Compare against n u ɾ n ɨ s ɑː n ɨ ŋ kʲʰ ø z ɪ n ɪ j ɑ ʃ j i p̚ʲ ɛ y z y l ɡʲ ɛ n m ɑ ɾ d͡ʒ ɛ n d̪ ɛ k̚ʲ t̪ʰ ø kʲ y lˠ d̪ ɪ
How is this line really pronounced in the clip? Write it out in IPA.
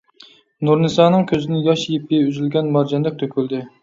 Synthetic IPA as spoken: n u ɾ n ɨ s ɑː n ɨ ŋ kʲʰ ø z ɪ n ɪ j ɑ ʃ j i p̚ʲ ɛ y z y l ɡʲ ɛ n m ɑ ɾ d͡ʒ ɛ n d̪ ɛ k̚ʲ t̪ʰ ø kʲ y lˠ d̪ ɪ